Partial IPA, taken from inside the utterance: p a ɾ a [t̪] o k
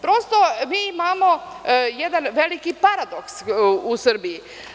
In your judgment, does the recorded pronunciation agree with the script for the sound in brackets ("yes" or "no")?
no